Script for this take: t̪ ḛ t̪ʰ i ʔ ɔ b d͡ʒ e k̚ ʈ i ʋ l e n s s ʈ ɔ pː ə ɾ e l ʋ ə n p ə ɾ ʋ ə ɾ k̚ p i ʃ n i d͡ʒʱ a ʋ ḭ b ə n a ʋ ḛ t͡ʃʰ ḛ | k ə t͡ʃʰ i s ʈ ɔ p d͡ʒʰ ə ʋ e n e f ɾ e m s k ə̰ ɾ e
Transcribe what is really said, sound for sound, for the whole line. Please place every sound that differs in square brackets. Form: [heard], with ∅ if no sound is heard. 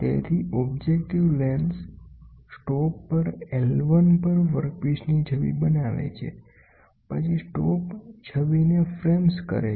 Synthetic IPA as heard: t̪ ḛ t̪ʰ i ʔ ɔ b d͡ʒ e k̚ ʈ i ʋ l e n s s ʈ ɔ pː ə ɾ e l ʋ ə n p ə ɾ ʋ ə ɾ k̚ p i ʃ n i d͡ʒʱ [ə] ʋ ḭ b ə n a ʋ ḛ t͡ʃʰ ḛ | [p] ə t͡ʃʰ i s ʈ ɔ p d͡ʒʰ ə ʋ [i] n e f ɾ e m s k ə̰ ɾ e